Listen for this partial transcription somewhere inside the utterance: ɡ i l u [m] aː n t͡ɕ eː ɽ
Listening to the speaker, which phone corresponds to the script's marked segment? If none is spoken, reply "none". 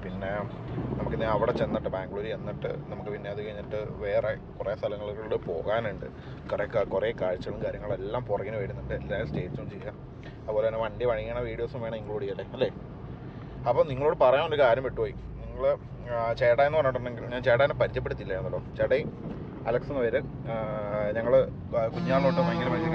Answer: ɲ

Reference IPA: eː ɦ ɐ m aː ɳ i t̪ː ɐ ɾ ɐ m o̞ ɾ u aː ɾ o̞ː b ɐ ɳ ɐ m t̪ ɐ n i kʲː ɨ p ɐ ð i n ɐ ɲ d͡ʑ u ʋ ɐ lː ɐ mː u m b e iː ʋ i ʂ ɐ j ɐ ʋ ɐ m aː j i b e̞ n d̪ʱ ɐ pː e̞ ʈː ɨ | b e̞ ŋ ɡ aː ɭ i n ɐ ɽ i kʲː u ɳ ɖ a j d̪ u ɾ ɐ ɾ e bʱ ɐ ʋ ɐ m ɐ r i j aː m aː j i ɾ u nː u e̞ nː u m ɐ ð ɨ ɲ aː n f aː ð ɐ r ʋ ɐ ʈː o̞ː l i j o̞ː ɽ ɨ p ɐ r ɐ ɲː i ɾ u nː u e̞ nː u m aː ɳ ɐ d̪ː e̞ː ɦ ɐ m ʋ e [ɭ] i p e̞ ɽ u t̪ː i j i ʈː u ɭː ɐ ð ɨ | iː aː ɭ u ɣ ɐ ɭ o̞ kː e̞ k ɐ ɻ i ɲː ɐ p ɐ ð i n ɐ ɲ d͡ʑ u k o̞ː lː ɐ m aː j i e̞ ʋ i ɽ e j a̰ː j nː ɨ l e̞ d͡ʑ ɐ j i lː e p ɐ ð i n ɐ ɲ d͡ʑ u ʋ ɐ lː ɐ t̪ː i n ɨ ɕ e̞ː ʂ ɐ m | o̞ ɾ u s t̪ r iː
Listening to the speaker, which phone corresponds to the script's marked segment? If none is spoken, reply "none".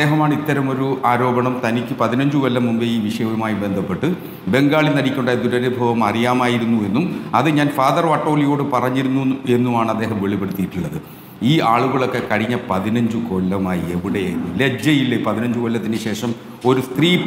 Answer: ɭ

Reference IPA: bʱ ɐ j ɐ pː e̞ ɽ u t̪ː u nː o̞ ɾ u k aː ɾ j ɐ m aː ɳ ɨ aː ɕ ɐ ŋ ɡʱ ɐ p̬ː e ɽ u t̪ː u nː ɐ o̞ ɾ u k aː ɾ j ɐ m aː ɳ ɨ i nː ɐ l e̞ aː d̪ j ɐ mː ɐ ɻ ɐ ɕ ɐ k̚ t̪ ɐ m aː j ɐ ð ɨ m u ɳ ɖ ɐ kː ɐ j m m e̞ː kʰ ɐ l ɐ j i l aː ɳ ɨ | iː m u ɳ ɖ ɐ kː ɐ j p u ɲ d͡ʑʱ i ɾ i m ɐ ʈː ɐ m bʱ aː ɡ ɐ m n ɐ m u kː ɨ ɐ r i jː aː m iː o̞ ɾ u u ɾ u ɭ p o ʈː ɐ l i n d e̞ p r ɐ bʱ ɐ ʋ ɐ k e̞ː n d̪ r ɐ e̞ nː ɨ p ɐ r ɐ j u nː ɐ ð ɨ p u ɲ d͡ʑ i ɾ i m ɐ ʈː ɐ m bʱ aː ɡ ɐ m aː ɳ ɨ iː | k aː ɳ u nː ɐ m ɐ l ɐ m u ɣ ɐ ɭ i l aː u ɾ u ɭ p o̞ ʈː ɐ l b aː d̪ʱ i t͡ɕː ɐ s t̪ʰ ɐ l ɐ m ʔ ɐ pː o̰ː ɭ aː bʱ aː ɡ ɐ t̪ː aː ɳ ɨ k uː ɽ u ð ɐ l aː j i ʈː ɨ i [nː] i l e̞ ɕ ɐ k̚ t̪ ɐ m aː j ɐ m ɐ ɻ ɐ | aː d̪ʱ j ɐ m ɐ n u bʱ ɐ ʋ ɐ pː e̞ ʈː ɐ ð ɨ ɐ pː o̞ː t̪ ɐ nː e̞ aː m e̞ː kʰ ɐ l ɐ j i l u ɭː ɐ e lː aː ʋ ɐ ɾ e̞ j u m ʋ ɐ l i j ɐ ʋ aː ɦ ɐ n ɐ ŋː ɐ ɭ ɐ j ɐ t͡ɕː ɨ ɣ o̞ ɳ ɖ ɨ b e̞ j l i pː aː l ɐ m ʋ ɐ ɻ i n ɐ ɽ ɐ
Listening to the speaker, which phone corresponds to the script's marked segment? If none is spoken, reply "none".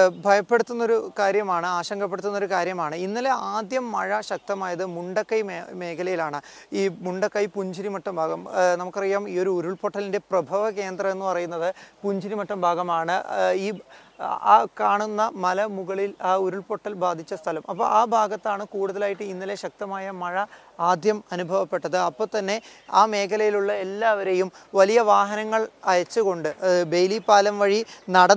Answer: nː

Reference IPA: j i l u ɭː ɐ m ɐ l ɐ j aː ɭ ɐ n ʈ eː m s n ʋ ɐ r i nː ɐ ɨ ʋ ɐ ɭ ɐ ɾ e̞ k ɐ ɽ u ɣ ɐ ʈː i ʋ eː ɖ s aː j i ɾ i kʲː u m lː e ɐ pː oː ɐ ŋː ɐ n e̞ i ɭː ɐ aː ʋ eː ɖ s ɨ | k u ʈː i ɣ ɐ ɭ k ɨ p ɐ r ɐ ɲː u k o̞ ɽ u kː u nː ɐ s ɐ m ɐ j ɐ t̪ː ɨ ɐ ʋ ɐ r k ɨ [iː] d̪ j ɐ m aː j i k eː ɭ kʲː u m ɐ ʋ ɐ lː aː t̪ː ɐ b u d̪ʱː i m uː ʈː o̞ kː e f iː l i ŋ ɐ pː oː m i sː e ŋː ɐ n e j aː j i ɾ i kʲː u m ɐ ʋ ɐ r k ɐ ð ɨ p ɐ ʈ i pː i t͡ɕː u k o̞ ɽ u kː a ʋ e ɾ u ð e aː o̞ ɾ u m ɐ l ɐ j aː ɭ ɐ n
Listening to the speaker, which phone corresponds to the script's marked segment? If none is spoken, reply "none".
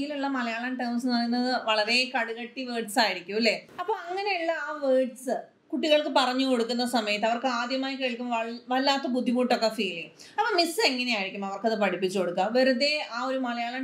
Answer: aː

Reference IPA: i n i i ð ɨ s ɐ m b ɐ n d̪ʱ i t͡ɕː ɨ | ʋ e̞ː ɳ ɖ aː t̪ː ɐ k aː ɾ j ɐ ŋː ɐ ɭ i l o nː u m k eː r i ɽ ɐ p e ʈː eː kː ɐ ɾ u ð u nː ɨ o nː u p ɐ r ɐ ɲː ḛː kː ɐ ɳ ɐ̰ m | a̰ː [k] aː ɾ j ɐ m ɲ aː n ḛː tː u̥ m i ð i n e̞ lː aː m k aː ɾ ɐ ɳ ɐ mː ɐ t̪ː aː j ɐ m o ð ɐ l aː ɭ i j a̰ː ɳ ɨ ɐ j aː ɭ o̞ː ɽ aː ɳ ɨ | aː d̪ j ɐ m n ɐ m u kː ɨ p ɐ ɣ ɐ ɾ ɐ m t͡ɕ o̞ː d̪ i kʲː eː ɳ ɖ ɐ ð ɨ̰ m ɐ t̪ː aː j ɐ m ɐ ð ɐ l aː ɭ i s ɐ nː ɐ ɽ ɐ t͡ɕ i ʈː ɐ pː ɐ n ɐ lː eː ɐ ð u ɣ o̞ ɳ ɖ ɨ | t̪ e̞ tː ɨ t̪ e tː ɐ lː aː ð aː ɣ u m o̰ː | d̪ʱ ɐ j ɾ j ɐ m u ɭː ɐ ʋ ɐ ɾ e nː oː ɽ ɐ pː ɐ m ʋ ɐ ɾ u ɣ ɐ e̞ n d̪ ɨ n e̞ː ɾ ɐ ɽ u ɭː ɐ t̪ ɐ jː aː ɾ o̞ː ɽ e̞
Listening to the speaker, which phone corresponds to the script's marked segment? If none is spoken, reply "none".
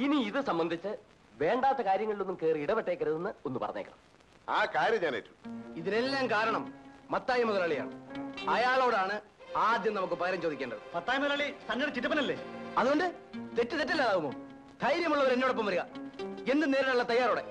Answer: k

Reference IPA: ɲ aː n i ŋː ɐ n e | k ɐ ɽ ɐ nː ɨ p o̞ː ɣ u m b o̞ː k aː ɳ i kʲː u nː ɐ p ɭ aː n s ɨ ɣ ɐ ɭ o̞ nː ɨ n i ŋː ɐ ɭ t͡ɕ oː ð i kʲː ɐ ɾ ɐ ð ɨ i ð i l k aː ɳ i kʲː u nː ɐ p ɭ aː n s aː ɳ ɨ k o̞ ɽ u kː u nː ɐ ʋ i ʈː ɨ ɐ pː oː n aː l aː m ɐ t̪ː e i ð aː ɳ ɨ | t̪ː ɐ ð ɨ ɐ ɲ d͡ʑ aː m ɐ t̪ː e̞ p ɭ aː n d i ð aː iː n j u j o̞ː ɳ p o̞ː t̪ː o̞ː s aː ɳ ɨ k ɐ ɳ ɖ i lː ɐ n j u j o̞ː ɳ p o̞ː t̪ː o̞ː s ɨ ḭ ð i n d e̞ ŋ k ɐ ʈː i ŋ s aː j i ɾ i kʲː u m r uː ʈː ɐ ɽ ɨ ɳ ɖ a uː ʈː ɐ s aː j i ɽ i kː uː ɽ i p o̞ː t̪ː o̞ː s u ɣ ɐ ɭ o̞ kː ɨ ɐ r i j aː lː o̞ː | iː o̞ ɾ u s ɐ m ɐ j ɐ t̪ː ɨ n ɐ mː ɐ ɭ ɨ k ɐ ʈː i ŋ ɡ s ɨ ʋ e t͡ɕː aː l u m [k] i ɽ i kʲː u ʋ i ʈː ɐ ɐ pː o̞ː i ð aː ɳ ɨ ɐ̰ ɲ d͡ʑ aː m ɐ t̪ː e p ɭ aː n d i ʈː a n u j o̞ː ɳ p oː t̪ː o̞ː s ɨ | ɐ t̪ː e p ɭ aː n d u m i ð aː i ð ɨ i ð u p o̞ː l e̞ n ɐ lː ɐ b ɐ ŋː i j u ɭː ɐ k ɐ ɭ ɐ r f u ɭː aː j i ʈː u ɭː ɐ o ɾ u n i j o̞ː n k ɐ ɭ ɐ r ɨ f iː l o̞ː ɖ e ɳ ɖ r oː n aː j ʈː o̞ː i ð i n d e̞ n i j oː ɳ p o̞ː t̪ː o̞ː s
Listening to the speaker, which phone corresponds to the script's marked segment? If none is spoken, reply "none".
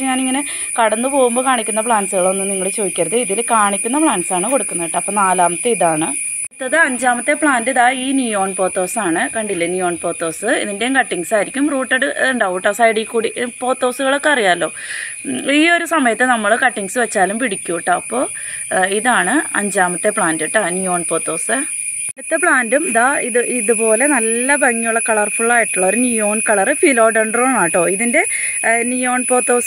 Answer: p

